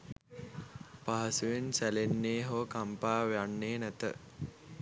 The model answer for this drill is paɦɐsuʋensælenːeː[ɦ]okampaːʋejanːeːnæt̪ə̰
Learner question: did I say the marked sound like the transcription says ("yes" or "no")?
yes